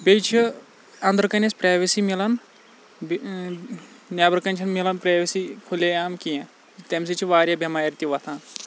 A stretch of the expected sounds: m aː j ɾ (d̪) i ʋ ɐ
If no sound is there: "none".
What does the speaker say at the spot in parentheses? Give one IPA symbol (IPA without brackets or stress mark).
t̪